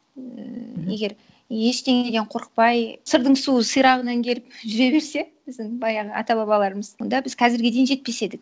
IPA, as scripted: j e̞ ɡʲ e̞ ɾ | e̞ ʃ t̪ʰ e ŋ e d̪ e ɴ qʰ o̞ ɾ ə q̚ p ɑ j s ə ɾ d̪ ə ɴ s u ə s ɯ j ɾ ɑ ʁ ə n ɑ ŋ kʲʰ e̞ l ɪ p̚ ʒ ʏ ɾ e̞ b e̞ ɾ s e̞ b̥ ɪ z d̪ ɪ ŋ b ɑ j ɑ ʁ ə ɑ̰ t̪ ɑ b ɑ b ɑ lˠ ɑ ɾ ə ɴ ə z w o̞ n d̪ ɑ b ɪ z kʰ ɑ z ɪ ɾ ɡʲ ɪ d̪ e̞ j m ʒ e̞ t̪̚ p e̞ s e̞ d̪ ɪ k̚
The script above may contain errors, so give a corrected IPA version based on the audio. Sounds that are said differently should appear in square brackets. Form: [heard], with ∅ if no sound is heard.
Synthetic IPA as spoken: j e̞ ɡʲ e̞ ɾ | e̞ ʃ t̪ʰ e ŋ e d̪ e ɴ qʰ o̞ ɾ ə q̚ p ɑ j s ə ɾ d̪ ə ɴ s u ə s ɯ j ɾ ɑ ʁ ə n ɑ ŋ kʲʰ e̞ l ɪ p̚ ʒ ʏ ɾ e̞ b e̞ ɾ s e̞ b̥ ɪ z d̪ ɪ ŋ b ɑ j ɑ ʁ ə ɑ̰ t̪ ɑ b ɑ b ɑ lˠ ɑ ɾ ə [m] ə z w o̞ n d̪ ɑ b ɪ z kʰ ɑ z ɪ ɾ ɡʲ ɪ d̪ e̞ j [n] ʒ e̞ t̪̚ p e̞ s e̞ d̪ ɪ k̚